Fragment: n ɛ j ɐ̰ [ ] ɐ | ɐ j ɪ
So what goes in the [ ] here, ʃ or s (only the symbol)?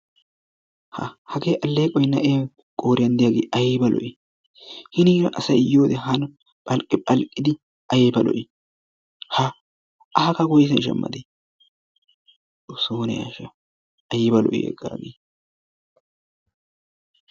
ʃ